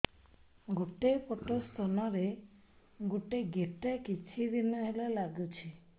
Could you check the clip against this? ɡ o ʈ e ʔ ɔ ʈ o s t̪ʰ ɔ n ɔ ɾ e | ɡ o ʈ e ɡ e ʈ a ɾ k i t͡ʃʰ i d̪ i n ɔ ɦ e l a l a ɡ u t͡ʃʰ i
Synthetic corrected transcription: ɡ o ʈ e p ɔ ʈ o s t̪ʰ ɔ n ɔ ɾ e | ɡ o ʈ e ɡ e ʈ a k i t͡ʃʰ i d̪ i n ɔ ɦ e l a l a ɡ u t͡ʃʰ i